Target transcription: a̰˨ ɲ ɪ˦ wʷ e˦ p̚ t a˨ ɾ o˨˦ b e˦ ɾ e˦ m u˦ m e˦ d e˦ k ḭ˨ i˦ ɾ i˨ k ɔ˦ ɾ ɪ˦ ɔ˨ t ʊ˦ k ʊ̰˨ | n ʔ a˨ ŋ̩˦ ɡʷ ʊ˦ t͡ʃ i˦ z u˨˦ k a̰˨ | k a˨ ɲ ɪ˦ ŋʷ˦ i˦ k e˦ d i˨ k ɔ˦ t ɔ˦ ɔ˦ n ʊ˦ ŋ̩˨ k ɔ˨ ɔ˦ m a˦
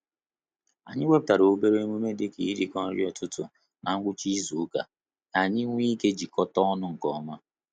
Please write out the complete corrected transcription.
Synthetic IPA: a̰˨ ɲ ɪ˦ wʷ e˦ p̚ t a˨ ɾ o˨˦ b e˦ ɾ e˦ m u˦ m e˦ d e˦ k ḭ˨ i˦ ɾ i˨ k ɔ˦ ɾ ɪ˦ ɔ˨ t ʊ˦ t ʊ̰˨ | n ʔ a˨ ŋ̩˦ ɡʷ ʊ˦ t͡ʃ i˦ z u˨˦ k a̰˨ | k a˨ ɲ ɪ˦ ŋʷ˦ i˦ k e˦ d͡ʒ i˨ k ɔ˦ t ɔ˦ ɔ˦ n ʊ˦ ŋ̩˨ k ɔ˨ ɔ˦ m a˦

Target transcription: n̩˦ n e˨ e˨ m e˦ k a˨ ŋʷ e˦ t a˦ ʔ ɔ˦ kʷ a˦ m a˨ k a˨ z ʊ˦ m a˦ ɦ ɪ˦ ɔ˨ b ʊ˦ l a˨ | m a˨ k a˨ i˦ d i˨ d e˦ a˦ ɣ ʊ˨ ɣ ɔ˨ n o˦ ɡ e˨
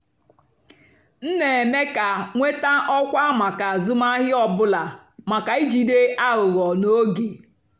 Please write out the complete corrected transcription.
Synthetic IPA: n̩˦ n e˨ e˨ m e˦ k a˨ ŋʷ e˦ t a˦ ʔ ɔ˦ kʷ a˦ m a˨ k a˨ z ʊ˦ m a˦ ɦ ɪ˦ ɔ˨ b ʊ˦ l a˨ | m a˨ k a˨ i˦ d͡ʒ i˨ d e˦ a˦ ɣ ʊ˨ ɣ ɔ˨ n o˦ ɡ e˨

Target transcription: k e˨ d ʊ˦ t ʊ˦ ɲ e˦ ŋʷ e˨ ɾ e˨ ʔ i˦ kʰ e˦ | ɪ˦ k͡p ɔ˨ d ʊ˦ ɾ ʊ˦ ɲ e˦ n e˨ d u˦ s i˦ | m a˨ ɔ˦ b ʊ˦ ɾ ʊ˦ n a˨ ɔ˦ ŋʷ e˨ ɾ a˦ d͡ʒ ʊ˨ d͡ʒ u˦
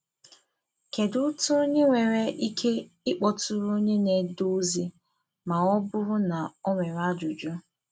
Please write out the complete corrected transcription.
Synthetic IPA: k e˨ d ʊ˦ t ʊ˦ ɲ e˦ ŋʷ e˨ ɾ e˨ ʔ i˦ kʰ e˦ | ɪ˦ k͡p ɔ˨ t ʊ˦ ɾ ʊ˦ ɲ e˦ n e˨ d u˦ z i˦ | m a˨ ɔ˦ b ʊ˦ ɾ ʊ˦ n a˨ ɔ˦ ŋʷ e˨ ɾ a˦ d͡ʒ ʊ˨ d͡ʒ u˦

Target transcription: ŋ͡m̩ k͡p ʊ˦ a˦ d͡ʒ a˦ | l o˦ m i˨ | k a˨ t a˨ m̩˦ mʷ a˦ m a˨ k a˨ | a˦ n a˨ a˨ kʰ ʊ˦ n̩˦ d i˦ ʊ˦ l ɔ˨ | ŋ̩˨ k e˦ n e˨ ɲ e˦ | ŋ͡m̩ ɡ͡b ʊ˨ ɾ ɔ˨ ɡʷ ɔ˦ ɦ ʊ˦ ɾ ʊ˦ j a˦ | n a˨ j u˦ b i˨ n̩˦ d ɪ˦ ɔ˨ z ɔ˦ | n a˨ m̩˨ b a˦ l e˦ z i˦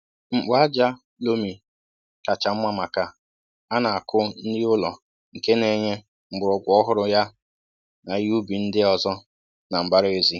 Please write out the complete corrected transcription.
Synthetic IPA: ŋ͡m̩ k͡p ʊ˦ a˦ d͡ʒ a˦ | l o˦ m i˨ | k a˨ t͡ʃ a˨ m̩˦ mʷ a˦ m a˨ k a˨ | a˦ n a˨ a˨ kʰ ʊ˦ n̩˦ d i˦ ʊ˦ l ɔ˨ | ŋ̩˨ k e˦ n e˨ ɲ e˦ | ŋ͡m̩ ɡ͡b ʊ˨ ɾ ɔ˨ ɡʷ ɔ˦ ɦ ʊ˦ ɾ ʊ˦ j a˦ | n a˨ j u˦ b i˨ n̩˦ d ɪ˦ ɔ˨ z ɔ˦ | n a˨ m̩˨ b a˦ ɾ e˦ z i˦

